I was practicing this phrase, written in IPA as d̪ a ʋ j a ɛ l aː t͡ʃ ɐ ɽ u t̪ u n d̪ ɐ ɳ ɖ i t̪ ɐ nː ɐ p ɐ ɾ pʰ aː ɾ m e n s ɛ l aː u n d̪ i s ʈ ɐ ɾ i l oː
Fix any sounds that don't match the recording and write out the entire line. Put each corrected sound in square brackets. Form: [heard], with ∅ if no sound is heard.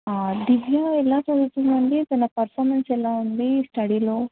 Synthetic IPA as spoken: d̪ [i] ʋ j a ɛ l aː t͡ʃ ɐ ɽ u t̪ u n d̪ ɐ ɳ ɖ i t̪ ɐ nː ɐ p ɐ ɾ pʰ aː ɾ m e n s ɛ l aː u n d̪ i s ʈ ɐ [ɽ] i l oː